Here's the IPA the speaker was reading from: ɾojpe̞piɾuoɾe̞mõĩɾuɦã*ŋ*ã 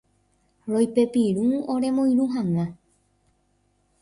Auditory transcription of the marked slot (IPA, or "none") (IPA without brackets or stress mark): ŋ